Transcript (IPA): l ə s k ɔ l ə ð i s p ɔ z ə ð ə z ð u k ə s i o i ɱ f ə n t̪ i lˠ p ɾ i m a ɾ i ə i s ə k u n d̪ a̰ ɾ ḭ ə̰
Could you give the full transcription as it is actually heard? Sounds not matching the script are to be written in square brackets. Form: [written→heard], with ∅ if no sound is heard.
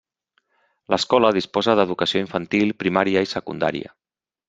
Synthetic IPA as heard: l ə s k ɔ l ə ð i s p ɔ z ə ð ə [z→∅] ð u k ə s i o i ɱ f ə n t̪ i lˠ p ɾ i m a ɾ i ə i s ə k u n d̪ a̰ ɾ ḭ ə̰